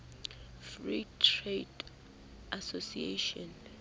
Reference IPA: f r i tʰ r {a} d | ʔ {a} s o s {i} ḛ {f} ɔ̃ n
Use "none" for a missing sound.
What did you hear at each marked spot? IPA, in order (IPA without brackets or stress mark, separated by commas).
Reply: e, a, i, ʃ